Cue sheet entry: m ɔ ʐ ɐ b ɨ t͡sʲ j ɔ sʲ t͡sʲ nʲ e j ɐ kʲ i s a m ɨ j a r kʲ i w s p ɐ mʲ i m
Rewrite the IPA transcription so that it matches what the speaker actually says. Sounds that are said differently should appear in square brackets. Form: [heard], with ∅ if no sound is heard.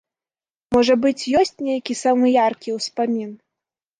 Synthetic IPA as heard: m ɔ ʐ ɐ b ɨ t͡sʲ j ɔ sʲ t͡sʲ nʲ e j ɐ kʲ i s a m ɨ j a r kʲ i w s p [a] mʲ i [n]